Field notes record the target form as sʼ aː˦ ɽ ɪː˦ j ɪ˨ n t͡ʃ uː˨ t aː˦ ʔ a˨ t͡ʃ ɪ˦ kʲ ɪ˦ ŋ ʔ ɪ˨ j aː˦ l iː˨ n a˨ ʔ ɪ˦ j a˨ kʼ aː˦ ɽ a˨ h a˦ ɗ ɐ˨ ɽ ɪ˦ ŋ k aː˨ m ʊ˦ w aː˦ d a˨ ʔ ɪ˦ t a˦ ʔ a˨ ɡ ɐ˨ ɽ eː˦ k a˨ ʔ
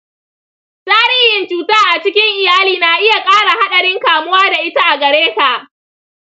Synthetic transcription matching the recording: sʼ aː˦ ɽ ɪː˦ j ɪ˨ n t͡ʃ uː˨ t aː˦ ʔ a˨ t͡ʃ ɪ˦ kʲ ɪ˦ ŋ ʔ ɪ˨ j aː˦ l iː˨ n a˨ ʔ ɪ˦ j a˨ kʼ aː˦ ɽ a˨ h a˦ ɗ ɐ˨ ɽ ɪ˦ ŋ k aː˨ m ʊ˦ w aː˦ d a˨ ʔ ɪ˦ t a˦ ʔ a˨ ɡ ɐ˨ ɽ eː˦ k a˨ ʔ